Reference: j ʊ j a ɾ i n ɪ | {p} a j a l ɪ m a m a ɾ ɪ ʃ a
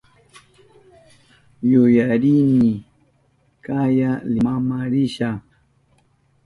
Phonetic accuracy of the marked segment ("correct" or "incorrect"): incorrect